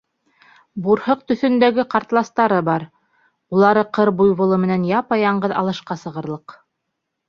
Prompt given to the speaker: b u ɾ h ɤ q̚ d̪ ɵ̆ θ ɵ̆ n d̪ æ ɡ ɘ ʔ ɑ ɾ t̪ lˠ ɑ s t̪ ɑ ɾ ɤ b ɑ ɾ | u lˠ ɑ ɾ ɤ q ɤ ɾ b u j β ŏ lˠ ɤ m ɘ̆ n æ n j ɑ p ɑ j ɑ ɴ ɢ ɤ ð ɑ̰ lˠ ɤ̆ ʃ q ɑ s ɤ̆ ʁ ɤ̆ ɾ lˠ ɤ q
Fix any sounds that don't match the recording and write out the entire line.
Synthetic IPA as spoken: b u ɾ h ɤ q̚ t̪ ɵ̆ θ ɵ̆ n d̪ æ ɡ ɘ q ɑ ɾ t̪ lˠ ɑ s t̪ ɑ ɾ ɤ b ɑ ɾ | u lˠ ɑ ɾ ɤ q ɤ ɾ b u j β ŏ lˠ ɤ m ɘ̆ n æ n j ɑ p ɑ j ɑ ɴ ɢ ɤ ð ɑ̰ lˠ ɤ̆ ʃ q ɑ s ɤ̆ ʁ ɤ̆ ɾ lˠ ɤ q